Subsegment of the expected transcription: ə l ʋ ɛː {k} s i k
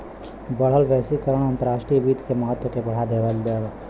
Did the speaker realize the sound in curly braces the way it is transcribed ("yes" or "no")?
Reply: no